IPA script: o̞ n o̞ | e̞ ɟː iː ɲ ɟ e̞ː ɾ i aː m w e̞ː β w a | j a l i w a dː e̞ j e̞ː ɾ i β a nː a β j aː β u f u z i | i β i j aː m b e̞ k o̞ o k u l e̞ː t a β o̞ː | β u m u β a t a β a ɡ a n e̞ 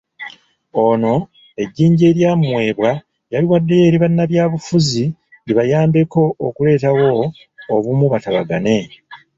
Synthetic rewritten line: o̞ n o̞ | e̞ ɟː iː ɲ ɟ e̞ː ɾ j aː m w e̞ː β w a | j a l i w a dː e̞ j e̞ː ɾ i β a nː a β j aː β u f u z i | i β a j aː m b e̞ k o̞ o k u l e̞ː t a w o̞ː | β u m u β a t a β a ɡ a n e̞